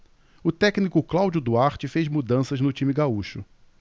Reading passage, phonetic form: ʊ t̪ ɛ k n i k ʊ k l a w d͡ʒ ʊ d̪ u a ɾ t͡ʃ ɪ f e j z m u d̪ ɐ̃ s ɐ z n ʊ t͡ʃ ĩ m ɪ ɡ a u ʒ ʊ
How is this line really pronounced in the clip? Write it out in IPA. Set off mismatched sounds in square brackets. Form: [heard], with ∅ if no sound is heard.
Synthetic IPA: ʊ t̪ ɛ k n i k ʊ k l a w d͡ʒ ʊ d̪ u a ɾ t͡ʃ ɪ f e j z m u d̪ ɐ̃ s ɐ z n ʊ t͡ʃ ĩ m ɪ ɡ a u [ʃ] ʊ